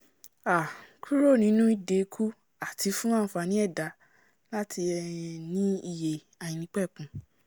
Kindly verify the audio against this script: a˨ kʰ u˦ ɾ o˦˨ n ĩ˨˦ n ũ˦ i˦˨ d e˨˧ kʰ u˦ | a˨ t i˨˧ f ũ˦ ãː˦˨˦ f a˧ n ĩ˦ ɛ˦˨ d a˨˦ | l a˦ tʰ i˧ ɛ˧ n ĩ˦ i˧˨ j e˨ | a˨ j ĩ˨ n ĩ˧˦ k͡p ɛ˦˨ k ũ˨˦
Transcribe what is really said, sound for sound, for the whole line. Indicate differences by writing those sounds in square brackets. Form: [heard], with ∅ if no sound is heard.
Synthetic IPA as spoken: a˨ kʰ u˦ ɾ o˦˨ n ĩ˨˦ n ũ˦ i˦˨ d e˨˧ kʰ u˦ | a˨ t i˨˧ f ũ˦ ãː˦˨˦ f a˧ n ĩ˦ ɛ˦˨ d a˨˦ | l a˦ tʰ i˧ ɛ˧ n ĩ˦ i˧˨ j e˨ | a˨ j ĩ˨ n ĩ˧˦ k͡p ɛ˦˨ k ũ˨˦

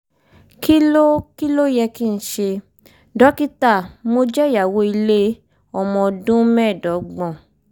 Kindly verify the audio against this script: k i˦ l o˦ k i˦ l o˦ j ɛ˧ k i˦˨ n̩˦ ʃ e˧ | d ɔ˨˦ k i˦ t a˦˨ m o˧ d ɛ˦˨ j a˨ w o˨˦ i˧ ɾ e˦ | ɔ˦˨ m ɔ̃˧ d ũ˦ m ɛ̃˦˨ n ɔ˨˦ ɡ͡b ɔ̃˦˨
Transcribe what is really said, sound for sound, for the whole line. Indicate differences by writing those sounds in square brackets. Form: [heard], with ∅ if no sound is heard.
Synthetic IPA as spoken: k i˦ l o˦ k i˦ l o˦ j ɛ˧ k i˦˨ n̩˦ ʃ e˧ | d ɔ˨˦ k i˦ t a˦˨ m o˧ [d͡ʒ] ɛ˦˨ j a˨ w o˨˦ i˧ [l] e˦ | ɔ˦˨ m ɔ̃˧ d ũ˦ m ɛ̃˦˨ [d] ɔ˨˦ ɡ͡b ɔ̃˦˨

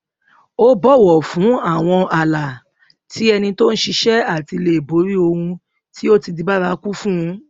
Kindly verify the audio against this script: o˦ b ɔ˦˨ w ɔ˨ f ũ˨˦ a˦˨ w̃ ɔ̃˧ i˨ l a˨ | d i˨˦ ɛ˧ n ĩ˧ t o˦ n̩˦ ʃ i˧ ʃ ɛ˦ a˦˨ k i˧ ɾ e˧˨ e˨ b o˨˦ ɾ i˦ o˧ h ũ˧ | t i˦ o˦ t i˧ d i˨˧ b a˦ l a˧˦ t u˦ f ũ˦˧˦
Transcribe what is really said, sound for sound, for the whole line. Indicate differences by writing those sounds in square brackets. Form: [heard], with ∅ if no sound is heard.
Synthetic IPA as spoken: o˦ b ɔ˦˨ w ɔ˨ f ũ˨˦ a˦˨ w̃ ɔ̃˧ [a˨] l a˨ | [t] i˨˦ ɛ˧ n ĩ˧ t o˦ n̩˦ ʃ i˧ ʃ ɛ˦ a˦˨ [t] i˧ [l] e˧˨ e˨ b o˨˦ ɾ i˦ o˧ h ũ˧ | t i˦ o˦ t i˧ d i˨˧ b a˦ [ɾ] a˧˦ [k] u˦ f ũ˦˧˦

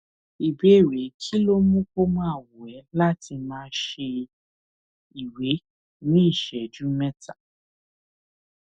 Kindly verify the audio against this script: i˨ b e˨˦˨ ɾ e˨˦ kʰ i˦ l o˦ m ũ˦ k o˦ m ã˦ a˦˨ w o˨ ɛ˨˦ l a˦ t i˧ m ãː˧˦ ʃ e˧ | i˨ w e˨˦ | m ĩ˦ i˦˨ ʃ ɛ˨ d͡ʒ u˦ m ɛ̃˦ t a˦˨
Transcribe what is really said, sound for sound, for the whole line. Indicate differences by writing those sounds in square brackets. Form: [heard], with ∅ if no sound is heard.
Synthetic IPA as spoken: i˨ b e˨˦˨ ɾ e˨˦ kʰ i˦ l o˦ m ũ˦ k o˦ m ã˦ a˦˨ w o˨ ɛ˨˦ l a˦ t i˧ m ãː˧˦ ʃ e˧ | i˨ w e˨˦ | [n] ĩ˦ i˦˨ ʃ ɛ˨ d͡ʒ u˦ m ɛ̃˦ t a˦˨

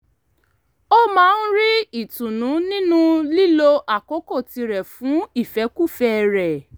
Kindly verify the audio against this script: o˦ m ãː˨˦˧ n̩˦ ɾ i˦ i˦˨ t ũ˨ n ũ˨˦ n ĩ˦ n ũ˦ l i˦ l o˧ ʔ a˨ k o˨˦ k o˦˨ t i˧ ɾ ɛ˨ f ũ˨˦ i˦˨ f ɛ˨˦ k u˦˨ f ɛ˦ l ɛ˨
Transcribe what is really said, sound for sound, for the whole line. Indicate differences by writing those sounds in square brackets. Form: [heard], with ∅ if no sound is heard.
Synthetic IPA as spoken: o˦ m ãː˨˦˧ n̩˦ ɾ i˦ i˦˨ t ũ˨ n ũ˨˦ n ĩ˦ n ũ˦ l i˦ l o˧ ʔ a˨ k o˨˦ k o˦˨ t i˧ ɾ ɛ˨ f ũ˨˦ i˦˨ f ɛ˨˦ k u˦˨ f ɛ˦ [ɾ] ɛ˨

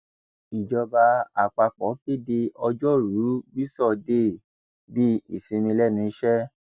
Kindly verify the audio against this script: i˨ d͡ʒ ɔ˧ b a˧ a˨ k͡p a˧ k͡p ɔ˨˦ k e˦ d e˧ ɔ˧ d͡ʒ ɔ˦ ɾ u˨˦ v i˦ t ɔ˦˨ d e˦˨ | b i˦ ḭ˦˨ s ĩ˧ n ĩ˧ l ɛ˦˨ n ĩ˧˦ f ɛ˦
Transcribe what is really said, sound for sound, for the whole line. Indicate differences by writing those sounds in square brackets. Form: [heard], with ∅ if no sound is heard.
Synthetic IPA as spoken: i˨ d͡ʒ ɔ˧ b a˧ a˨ k͡p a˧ k͡p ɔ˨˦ k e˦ d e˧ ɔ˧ d͡ʒ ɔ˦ ɾ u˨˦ [b] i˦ [s] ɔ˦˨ d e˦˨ | b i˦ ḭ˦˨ s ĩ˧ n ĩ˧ l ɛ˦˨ n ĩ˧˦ [ʃ] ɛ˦

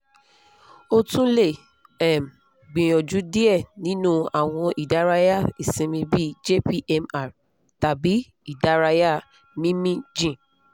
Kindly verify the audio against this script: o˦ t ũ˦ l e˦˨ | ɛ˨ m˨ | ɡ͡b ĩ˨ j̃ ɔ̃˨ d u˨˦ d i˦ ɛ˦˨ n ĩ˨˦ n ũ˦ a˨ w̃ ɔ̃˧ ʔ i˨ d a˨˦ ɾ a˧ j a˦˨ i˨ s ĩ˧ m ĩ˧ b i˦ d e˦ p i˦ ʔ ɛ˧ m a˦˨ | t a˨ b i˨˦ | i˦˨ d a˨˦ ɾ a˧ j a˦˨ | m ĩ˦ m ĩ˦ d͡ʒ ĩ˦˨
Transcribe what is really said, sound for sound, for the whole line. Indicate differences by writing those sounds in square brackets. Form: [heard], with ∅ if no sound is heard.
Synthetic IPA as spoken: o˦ t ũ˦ l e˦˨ | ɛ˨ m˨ | ɡ͡b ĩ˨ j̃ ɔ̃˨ [d͡ʒ] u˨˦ d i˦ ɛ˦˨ n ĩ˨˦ n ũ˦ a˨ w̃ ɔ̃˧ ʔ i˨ d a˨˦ ɾ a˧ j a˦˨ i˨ s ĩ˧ m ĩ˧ b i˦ [d͡ʒ] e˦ p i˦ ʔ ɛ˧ m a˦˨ | t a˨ b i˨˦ | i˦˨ d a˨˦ ɾ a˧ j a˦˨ | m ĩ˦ m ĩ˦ d͡ʒ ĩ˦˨

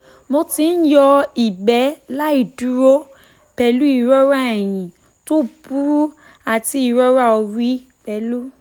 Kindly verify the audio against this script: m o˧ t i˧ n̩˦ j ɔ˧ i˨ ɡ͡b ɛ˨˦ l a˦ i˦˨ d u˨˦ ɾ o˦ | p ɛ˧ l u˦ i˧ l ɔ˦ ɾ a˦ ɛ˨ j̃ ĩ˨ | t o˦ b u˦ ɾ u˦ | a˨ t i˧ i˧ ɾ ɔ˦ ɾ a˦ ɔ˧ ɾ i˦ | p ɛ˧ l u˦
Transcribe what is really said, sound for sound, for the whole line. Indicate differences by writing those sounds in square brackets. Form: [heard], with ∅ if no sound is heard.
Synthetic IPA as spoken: m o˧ t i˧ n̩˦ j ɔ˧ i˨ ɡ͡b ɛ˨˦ l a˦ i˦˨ d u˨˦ ɾ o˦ | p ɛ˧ l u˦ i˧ [ɾ] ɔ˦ ɾ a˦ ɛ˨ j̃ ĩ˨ | t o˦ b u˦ ɾ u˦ | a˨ t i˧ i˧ ɾ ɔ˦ ɾ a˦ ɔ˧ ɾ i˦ | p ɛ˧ l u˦

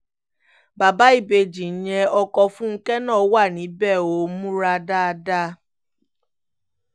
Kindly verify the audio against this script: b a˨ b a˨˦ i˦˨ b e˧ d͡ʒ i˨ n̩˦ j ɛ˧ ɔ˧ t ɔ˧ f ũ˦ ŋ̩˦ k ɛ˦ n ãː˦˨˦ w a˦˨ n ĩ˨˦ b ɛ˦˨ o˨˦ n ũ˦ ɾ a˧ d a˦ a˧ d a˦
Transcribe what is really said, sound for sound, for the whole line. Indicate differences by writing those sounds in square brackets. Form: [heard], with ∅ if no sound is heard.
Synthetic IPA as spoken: b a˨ b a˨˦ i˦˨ b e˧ d͡ʒ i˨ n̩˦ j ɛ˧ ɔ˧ [k] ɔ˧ f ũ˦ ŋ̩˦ k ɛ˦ n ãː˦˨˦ w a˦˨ n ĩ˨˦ b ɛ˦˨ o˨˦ [m] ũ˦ ɾ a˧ d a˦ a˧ d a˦

